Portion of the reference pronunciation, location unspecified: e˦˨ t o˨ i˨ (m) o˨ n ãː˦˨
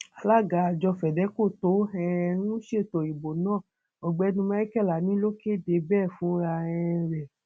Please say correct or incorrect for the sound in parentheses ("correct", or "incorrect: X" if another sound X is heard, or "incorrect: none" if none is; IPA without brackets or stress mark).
incorrect: b